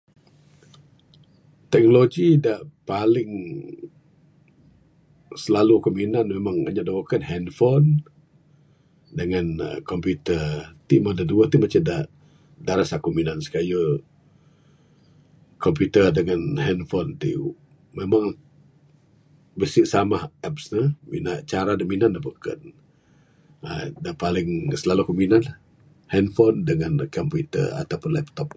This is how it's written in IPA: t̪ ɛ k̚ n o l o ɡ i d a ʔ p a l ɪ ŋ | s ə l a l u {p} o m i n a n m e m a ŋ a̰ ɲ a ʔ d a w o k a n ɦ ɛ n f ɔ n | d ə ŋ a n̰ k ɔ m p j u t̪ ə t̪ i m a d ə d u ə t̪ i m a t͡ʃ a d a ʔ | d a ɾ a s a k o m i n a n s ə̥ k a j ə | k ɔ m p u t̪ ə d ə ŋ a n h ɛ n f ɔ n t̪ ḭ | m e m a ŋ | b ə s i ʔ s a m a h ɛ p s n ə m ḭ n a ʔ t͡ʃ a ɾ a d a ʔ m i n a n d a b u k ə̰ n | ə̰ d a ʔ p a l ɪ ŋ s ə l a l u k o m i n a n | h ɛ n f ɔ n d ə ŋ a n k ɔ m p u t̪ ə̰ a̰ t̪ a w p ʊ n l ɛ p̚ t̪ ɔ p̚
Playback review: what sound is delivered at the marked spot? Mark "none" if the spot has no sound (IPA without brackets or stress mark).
k